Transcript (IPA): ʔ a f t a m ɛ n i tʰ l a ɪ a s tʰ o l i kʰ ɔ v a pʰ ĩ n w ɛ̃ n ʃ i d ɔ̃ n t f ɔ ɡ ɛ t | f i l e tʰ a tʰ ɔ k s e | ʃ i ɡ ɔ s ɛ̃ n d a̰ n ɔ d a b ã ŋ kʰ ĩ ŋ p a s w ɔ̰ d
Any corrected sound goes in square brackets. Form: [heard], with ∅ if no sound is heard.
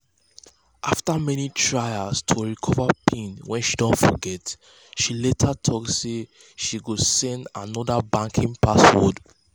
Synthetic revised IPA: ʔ a f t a m ɛ n i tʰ [ɹ] a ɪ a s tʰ o [ɹ] i kʰ ɔ v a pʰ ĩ n w ɛ̃ n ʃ i d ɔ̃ n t f ɔ ɡ ɛ t | [ʃ] i l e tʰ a tʰ ɔ k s e | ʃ i ɡ [o] s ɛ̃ n d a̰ n ɔ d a b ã ŋ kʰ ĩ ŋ p a s w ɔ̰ d